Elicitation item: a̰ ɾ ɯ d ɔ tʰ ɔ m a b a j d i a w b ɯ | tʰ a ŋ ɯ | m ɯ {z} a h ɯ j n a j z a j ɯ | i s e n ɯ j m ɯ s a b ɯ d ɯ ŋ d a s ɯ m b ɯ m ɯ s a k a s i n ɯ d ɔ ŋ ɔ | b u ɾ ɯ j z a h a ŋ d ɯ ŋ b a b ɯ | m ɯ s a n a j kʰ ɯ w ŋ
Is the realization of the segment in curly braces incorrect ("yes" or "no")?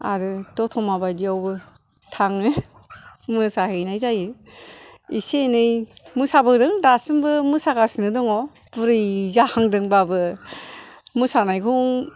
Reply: yes